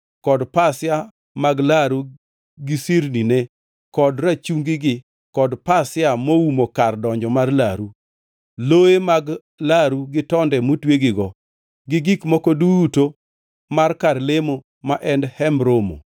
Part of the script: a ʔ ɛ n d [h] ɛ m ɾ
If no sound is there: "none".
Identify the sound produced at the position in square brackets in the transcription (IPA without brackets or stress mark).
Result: h